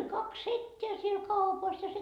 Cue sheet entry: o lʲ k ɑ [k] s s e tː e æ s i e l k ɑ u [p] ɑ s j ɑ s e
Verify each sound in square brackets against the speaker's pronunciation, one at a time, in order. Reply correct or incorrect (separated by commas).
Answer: correct, correct